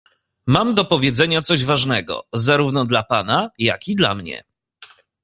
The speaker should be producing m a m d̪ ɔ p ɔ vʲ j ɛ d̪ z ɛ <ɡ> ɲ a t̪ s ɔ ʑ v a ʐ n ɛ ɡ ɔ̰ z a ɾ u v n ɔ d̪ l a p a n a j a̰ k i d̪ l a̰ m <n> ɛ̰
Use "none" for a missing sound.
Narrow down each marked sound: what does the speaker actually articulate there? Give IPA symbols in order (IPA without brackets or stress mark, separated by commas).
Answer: none, ɲ